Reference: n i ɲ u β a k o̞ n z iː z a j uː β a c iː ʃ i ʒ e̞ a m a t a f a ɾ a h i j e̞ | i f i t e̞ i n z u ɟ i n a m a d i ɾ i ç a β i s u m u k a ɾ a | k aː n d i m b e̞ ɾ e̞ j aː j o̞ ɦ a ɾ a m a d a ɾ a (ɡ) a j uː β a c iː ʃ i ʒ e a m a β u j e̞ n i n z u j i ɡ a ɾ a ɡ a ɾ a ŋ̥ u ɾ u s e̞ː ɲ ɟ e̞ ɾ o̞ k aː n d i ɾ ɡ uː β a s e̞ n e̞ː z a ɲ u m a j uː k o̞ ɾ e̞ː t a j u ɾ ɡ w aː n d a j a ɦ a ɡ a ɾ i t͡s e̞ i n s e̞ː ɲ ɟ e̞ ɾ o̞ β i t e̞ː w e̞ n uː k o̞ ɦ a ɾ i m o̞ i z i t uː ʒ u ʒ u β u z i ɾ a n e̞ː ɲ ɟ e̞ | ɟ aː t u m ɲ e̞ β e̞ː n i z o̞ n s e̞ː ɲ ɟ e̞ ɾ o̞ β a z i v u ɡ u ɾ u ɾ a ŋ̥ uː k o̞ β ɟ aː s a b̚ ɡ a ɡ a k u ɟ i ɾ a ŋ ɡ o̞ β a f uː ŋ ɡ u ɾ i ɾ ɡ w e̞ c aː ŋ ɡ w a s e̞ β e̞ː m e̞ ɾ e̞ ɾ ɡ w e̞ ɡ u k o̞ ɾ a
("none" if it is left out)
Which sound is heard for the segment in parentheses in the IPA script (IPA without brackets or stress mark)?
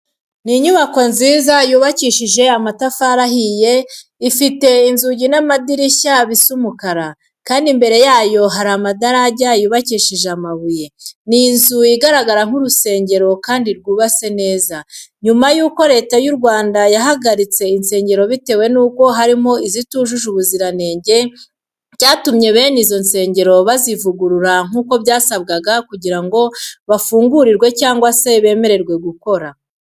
ɟ